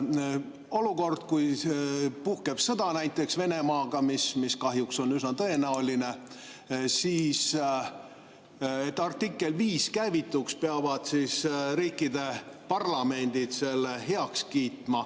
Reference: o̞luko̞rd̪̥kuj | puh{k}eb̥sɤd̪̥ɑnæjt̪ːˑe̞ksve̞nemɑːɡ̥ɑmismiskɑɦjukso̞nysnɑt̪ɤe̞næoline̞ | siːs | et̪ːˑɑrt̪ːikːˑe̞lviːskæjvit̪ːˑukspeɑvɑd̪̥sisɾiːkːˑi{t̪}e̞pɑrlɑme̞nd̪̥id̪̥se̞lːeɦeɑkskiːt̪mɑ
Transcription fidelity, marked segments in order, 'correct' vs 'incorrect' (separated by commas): correct, incorrect